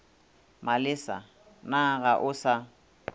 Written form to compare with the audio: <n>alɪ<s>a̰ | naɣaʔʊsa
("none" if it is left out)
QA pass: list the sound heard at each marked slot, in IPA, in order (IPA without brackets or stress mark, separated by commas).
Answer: m, s